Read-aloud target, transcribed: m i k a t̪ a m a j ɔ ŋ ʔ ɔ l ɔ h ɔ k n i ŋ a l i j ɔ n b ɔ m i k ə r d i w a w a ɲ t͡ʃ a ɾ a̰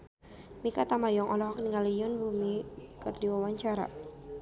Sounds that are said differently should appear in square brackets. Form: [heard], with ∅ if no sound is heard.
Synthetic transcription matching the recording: m i k a t̪ a m a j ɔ ŋ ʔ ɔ l ɔ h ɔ k n i ŋ a l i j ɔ n b [u] m i k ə r d i w a w a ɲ t͡ʃ a ɾ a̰